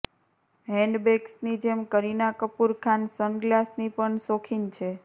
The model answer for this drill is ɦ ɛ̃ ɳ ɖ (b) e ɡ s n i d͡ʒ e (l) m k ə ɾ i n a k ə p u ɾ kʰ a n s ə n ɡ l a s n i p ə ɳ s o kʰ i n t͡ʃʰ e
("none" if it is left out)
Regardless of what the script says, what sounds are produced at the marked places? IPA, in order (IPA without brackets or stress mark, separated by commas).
b, none